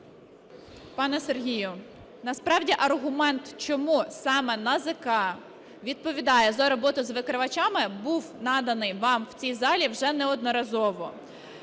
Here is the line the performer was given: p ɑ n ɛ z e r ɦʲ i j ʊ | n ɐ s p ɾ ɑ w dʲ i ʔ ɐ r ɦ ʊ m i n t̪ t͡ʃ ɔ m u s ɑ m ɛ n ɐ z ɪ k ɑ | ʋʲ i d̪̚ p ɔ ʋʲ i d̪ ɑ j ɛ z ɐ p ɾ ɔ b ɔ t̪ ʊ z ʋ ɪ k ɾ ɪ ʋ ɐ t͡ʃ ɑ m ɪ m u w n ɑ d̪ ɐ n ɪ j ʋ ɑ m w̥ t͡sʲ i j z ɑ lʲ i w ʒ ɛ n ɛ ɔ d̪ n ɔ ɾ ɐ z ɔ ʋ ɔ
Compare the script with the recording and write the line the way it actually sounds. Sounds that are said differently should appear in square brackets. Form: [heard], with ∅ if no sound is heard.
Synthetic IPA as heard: p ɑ n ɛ [s] e r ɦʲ i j ʊ | n ɐ s p ɾ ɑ w dʲ i ʔ ɐ r ɦ ʊ m [ɛ] n t̪ t͡ʃ ɔ m u s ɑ m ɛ n ɐ z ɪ k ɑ | ʋʲ i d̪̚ p ɔ ʋʲ i d̪ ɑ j ɛ z ɐ [∅] ɾ ɔ b ɔ t̪ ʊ z ʋ ɪ k ɾ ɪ ʋ ɐ t͡ʃ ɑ m ɪ [b] u w n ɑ d̪ ɐ n ɪ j ʋ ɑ m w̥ t͡sʲ i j z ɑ lʲ i w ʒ ɛ n ɛ ɔ d̪ n ɔ ɾ ɐ z ɔ ʋ ɔ

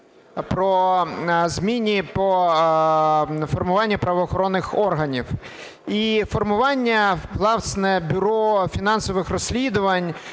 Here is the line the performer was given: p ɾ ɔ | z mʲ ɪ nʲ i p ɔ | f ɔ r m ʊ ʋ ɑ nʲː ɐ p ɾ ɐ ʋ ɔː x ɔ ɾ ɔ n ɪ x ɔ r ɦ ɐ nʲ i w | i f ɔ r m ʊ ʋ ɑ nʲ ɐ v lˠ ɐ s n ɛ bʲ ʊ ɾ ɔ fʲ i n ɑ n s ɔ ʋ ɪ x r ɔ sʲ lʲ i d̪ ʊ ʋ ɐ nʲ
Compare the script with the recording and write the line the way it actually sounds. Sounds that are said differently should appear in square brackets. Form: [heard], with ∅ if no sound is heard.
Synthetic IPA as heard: p ɾ ɔ | z mʲ [i] nʲ i p ɔ | f ɔ r m ʊ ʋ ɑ nʲː ɐ p ɾ ɐ ʋ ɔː x ɔ ɾ ɔ [nː] ɪ x ɔ r ɦ ɐ nʲ i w | i f ɔ r m ʊ ʋ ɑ [nʲː] ɐ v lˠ [ɑ] s n ɛ bʲ ʊ ɾ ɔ fʲ i n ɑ n s ɔ ʋ ɪ x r ɔ sʲ lʲ i d̪ ʊ ʋ ɐ nʲ

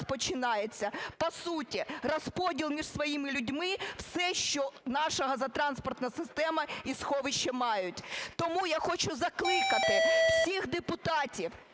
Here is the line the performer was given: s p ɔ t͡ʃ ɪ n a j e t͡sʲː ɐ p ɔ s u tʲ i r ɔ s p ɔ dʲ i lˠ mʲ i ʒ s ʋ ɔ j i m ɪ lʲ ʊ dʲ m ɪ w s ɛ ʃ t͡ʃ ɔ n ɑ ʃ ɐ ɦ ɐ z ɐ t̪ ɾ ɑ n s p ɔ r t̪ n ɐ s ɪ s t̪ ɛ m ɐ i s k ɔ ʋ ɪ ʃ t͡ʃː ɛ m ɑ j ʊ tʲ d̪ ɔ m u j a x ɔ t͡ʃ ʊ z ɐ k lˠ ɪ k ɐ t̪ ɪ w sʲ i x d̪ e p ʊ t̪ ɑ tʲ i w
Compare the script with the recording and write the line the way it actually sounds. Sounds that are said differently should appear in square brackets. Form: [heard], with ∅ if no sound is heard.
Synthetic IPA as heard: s p ɔ t͡ʃ ɪ n [ɑ] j e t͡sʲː ɐ p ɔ s u tʲ i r ɔ s p ɔ dʲ i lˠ mʲ i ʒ s ʋ ɔ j i m ɪ lʲ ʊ dʲ m ɪ w s ɛ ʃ t͡ʃ ɔ n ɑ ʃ ɐ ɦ ɐ z ɐ t̪ ɾ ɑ n s p ɔ r t̪ n ɐ s ɪ s t̪ ɛ m ɐ i s [x] ɔ ʋ ɪ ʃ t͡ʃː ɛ m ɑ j ʊ tʲ [t̪] ɔ m u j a x ɔ t͡ʃ ʊ z ɐ k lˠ ɪ k ɐ t̪ ɪ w sʲ i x d̪ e p ʊ t̪ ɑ tʲ i w

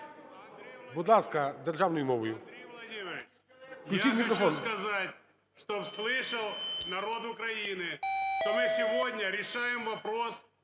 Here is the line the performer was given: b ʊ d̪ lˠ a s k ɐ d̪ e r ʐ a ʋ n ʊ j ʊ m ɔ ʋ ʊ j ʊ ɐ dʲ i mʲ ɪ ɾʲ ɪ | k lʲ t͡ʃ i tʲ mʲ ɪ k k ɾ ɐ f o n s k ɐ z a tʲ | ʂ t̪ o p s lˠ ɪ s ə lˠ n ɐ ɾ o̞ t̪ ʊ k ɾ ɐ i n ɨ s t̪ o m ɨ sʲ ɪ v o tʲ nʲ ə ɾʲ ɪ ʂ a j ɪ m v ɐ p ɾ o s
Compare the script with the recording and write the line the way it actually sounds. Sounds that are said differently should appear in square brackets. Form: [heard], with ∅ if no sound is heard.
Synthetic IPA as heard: b ʊ d̪ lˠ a s k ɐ d̪ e r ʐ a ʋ n ʊ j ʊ m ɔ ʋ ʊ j ʊ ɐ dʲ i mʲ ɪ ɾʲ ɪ | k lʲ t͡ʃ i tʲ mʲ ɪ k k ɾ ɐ f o n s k ɐ z a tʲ | ʂ t̪ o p s lˠ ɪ [ʂ] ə lˠ n ɐ ɾ o̞ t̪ ʊ k ɾ ɐ i n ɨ [ʂ] t̪ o m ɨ sʲ ɪ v o [dʲ] nʲ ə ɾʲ ɪ ʂ a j ɪ m v ɐ p ɾ o s

